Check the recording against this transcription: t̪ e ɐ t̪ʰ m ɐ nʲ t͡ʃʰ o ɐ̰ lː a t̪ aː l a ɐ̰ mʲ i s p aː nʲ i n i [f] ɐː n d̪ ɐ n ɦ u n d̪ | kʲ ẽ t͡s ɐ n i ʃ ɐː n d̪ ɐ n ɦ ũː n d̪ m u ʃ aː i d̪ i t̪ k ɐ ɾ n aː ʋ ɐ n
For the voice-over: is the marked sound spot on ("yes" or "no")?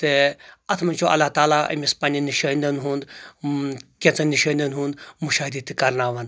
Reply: no